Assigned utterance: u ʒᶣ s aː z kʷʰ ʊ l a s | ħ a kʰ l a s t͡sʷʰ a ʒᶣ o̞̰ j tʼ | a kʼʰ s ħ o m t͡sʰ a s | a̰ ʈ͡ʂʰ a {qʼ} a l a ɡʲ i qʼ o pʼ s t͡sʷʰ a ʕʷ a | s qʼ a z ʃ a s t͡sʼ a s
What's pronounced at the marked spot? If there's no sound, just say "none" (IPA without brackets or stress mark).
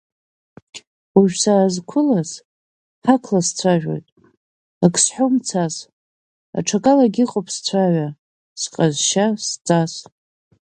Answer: kʼ